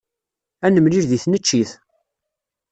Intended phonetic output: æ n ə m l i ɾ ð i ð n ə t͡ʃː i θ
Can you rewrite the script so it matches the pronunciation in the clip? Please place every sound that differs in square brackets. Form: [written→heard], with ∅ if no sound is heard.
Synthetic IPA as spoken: æ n ə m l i ɾ ð i [ð→θ] n ə t͡ʃː i θ

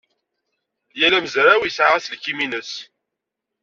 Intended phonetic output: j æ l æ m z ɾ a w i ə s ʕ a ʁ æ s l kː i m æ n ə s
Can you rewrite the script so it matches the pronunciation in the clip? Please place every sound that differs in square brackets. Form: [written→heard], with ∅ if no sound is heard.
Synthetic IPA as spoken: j æ l æ m z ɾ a w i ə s ʕ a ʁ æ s l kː i m [æ→i] n ə s

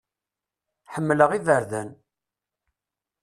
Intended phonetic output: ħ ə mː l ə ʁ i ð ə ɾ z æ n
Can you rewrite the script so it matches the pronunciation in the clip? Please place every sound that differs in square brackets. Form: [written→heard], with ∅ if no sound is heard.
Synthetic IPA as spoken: ħ ə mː l ə ʁ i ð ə ɾ [z→ð] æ n

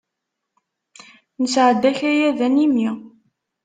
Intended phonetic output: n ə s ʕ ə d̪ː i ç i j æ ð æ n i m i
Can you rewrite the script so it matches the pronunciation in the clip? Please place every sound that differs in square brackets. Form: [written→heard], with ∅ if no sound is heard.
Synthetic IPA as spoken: n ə s ʕ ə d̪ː [i→æ] ç [i→æ] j æ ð æ n i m i

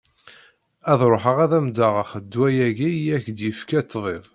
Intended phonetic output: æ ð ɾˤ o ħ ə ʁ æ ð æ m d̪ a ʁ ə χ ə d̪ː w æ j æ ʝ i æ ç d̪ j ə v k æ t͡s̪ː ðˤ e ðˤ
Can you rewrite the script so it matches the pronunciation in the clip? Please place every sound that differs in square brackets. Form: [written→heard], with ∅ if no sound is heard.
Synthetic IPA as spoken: æ ð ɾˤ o ħ ə ʁ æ ð æ m d̪ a ʁ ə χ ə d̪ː w æ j æ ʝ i æ ç d̪ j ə [v→f] k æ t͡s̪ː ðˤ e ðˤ

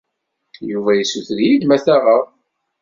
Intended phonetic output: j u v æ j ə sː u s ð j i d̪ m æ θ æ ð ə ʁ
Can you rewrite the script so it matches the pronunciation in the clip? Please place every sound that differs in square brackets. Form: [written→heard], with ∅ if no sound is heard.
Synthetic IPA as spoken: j u v æ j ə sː u [s→θ] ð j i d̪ m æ θ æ [ð→ʁ] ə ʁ

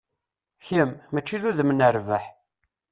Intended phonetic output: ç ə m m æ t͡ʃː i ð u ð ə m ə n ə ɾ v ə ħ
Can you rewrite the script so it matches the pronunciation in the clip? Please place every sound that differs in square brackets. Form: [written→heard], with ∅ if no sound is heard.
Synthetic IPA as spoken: ç ə m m æ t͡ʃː i ð u ð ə m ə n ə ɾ v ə ħ

